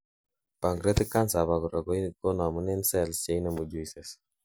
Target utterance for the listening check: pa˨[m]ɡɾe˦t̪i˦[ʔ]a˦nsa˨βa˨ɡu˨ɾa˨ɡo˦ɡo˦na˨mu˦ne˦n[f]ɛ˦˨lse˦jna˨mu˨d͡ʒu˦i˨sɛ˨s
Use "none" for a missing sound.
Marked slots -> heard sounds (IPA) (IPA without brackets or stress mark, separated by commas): ŋ, k, s